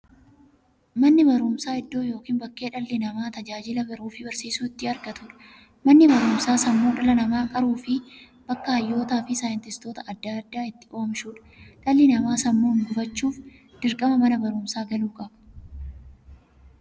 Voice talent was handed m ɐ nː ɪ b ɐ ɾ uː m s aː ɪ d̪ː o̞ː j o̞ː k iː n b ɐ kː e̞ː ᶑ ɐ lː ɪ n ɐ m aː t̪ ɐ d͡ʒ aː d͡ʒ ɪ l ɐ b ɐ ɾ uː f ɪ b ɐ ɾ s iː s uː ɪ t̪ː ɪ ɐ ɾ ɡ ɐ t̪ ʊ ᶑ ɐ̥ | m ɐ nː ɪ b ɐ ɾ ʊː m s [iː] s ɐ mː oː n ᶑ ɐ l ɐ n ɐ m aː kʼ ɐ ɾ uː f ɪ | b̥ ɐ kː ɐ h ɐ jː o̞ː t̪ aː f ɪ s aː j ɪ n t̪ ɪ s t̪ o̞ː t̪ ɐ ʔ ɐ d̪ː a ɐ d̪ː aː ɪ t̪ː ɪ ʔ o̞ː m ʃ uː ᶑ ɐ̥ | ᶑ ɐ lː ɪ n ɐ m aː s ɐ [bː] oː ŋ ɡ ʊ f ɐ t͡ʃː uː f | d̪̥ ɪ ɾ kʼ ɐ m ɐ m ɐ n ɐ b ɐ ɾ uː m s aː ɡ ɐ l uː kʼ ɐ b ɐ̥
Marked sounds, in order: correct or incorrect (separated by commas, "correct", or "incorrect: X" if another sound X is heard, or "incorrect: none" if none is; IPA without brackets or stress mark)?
incorrect: aː, incorrect: mː